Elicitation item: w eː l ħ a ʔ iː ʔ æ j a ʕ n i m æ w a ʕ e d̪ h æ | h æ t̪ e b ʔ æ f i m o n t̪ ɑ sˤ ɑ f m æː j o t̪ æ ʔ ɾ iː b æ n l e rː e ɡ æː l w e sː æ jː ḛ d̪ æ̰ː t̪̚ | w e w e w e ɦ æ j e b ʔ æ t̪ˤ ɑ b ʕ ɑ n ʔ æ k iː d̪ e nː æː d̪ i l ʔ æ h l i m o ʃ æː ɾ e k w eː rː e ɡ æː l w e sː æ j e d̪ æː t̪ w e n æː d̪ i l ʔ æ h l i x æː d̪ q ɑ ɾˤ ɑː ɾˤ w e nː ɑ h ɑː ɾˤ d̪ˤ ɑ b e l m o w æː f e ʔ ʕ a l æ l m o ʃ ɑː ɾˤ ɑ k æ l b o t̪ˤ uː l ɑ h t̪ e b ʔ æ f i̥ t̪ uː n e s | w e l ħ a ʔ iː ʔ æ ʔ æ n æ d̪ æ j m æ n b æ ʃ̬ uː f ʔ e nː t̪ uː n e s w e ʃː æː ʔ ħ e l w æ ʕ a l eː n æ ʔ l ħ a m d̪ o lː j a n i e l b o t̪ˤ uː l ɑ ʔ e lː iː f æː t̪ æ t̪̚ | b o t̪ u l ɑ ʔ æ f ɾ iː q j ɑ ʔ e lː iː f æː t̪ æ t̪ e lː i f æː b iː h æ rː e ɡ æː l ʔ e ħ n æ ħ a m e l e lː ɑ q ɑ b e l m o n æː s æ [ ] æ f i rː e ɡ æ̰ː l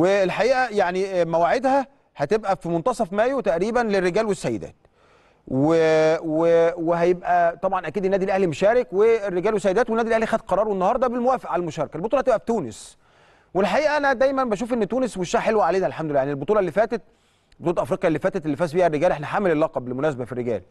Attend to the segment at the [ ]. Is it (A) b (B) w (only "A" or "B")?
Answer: A